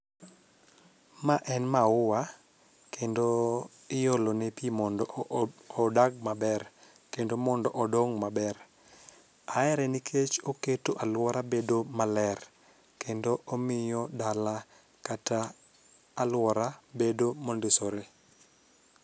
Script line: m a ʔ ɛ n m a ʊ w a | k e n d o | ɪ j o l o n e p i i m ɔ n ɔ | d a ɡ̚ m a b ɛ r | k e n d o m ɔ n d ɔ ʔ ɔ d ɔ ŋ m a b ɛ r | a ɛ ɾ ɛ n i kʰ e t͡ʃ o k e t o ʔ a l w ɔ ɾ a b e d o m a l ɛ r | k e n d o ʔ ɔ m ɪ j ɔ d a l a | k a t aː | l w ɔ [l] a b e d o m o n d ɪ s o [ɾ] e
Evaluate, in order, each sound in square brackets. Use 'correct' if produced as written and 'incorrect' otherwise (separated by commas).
incorrect, correct